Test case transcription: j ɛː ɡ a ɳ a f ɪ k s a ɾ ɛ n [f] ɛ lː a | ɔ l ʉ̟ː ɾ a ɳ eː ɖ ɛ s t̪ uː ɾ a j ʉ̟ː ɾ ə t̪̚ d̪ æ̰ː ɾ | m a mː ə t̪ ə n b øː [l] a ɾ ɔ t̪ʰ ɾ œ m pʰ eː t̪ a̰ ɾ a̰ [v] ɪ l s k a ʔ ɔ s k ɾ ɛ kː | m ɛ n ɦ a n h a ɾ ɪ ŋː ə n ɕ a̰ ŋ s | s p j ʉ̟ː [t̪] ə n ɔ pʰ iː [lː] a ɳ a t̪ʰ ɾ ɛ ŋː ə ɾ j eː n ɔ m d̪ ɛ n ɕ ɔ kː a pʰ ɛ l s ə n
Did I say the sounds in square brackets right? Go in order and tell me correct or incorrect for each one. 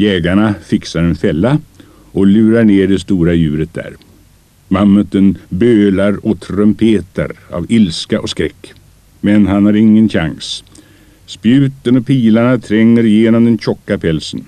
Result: correct, correct, correct, correct, incorrect

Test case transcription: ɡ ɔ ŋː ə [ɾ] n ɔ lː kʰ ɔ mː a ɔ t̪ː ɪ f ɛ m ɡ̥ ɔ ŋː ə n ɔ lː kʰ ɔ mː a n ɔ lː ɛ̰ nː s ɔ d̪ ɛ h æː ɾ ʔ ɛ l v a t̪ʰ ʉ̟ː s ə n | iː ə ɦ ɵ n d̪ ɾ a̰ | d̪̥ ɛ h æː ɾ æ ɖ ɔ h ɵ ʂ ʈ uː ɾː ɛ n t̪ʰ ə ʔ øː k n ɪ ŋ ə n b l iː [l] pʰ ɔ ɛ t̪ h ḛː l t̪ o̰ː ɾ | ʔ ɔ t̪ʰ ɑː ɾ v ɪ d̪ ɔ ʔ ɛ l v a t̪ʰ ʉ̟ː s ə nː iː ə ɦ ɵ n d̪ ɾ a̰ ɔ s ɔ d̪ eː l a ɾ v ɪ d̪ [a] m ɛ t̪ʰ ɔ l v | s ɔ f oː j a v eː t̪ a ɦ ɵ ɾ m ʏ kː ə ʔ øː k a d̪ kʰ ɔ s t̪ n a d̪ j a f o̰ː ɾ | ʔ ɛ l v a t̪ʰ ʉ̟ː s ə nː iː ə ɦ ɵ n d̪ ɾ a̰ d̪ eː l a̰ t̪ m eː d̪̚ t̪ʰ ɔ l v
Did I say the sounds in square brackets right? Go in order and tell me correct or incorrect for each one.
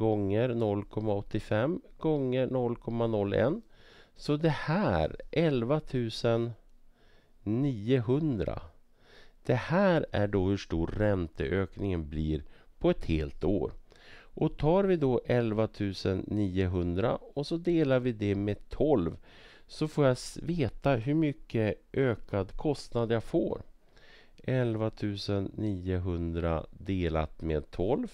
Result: correct, incorrect, incorrect

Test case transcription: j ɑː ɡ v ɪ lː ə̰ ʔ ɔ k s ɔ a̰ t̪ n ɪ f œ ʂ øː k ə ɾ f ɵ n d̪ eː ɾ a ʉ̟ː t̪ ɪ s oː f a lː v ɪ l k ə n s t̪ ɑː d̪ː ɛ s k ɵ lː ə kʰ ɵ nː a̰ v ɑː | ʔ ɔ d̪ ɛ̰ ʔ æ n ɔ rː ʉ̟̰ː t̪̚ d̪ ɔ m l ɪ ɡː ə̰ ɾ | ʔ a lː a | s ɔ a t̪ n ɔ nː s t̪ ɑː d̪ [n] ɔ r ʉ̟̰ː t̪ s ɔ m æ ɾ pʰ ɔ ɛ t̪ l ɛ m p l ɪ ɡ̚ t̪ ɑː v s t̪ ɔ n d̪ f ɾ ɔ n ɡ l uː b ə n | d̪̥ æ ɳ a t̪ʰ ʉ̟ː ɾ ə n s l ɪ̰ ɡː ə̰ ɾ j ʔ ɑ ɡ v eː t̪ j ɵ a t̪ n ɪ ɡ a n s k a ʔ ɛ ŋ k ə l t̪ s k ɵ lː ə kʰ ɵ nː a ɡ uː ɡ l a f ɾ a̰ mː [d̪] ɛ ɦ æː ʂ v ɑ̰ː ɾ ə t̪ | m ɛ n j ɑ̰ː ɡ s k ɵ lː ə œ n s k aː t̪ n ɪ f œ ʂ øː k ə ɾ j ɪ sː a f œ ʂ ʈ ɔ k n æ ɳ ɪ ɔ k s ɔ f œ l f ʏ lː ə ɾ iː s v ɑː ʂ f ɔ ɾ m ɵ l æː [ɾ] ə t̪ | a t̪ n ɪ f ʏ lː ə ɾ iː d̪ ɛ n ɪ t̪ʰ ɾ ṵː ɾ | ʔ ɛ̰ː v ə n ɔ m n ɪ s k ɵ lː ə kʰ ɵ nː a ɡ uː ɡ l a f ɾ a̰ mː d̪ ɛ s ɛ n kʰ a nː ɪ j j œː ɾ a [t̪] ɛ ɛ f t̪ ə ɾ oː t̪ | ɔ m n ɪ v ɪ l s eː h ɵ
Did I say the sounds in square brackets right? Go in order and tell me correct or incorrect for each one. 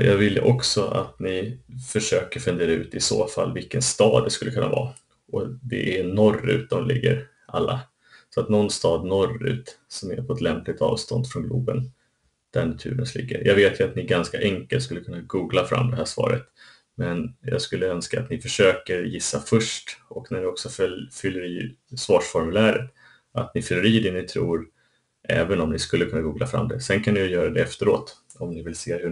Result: correct, correct, correct, incorrect

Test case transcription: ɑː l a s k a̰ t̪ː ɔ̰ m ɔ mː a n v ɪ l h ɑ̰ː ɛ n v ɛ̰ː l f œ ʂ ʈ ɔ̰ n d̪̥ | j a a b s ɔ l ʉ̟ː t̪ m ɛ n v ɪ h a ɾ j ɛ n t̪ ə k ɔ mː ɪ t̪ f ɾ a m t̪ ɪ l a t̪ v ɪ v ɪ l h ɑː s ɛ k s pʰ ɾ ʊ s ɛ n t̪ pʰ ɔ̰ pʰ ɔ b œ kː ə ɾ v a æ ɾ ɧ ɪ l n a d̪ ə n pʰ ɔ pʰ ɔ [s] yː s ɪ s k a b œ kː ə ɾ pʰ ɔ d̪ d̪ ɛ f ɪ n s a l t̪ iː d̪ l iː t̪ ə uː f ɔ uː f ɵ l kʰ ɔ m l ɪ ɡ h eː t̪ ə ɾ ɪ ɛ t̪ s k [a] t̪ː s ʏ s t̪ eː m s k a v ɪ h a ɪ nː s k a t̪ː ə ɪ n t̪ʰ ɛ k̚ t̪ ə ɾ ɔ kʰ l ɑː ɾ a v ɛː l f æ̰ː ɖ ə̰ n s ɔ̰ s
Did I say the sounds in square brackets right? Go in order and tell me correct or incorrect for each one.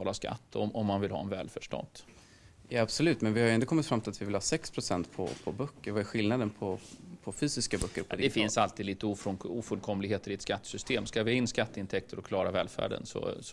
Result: incorrect, correct

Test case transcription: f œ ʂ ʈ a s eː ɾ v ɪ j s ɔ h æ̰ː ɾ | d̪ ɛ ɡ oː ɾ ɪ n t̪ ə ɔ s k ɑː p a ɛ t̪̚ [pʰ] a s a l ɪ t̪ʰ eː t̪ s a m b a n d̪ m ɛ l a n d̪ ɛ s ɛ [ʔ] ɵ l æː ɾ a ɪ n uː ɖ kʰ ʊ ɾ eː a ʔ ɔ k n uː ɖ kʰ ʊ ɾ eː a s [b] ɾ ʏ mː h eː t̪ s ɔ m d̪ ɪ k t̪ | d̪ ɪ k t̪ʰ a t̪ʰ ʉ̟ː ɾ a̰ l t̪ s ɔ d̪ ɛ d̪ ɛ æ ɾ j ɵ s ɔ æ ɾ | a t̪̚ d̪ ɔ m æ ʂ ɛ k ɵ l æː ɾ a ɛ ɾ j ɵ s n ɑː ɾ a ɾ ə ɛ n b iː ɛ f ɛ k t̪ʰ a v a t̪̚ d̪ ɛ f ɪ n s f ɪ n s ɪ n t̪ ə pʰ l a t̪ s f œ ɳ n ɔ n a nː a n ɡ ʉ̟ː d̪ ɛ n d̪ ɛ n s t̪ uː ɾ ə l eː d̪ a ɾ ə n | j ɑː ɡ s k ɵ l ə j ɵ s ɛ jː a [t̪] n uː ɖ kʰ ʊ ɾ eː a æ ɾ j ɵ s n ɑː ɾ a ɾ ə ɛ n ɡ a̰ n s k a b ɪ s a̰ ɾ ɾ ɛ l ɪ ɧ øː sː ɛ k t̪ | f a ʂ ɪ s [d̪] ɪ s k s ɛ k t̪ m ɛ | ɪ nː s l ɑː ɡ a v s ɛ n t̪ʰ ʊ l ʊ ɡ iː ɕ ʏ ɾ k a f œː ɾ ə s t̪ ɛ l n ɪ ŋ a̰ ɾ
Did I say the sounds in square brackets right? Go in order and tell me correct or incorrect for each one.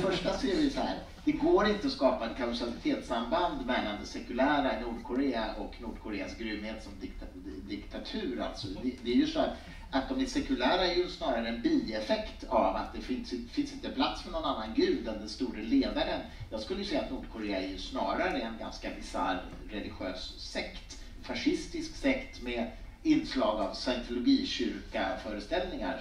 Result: incorrect, incorrect, incorrect, correct, incorrect

